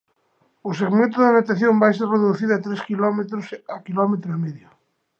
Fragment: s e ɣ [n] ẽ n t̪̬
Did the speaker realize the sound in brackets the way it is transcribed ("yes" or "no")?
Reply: no